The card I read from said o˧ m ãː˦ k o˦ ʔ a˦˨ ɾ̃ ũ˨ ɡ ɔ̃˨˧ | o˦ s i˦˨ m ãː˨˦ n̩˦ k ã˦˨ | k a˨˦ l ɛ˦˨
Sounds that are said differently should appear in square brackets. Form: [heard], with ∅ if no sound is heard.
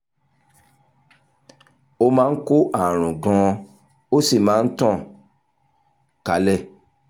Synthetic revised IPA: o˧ m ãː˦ k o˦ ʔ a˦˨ ɾ̃ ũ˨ ɡ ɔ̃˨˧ | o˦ s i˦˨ m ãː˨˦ n̩˦ [t] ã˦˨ | k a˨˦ l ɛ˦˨